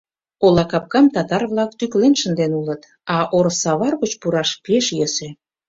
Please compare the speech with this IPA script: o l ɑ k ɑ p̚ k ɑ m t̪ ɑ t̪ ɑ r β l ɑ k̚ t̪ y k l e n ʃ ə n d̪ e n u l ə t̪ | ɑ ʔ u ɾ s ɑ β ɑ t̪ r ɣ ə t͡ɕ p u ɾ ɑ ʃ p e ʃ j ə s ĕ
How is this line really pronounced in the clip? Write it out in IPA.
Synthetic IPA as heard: o l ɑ k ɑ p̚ k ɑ m t̪ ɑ t̪ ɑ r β l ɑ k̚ t̪ y k l e n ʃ ə n d̪ e n u l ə t̪ | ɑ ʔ o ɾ s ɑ β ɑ r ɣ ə t͡ɕ p u ɾ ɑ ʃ p e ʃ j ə s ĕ